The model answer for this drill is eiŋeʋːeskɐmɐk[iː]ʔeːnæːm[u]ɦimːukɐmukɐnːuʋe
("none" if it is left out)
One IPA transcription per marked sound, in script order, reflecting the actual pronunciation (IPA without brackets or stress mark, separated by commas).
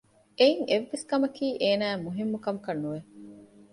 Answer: iː, u